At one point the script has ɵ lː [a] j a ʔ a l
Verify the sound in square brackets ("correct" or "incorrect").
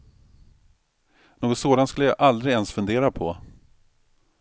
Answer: incorrect